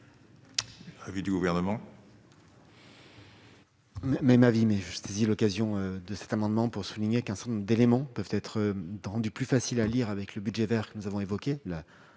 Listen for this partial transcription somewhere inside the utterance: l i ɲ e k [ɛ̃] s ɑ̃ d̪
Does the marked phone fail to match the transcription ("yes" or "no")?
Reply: no